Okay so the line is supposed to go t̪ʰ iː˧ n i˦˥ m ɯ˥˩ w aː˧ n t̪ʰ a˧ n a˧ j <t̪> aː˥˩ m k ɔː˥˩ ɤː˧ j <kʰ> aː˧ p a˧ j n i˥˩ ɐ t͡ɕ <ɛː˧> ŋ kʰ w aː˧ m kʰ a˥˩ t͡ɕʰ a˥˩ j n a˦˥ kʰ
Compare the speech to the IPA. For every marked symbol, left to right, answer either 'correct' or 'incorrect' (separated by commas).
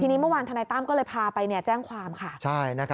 correct, incorrect, incorrect